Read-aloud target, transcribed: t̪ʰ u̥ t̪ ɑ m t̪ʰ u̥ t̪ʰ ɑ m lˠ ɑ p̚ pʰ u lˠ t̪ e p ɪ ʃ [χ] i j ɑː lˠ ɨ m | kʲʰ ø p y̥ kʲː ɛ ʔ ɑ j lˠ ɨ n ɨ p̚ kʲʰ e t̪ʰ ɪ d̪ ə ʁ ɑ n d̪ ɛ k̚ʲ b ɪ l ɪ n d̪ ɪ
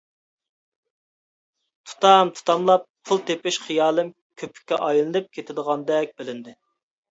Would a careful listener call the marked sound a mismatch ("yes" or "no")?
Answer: no